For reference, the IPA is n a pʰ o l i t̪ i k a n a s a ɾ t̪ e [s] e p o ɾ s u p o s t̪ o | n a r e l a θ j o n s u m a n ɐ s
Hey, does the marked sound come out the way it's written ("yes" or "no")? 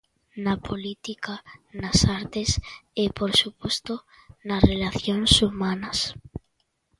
yes